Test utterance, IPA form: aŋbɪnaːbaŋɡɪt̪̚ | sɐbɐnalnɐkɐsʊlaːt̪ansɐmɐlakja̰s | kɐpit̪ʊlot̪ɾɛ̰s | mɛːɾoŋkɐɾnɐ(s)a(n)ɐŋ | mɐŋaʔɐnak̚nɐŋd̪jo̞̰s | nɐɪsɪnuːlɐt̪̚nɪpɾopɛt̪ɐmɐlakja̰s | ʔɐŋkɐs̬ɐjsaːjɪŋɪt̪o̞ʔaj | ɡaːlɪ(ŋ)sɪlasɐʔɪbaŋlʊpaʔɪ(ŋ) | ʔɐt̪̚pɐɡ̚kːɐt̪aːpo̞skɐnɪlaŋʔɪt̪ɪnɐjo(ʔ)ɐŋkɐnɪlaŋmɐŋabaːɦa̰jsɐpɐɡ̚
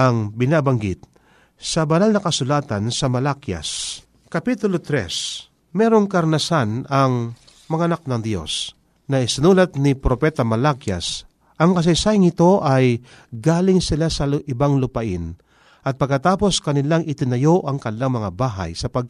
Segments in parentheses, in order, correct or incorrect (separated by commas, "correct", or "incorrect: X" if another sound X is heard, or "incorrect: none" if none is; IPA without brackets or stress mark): correct, correct, correct, incorrect: n, correct